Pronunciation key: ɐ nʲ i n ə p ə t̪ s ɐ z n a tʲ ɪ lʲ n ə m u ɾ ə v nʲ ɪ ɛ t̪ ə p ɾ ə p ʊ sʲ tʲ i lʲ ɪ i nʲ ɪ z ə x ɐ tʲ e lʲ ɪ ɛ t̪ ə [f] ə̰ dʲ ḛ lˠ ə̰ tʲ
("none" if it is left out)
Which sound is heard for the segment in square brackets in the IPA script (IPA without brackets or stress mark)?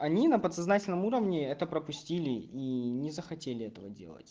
v